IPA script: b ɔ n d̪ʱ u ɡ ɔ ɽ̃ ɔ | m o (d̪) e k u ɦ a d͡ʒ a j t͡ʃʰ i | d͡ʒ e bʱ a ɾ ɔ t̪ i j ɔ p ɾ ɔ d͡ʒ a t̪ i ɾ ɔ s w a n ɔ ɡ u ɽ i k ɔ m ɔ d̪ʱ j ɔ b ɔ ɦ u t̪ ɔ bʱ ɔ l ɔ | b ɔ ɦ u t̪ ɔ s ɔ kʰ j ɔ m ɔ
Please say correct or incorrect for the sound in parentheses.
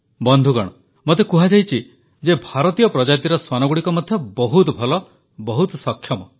incorrect